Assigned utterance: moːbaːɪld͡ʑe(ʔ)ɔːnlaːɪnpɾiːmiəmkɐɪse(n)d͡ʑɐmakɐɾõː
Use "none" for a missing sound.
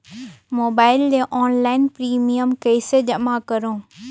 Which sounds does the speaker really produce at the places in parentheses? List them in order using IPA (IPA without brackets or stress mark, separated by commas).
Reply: ʔ, none